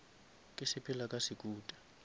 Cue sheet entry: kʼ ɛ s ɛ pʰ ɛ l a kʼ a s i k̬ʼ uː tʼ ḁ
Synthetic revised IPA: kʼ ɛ s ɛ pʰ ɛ l a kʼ a s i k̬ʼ uː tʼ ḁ